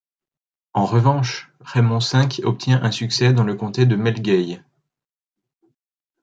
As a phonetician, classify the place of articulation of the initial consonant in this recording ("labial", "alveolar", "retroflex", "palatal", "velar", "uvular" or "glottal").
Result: uvular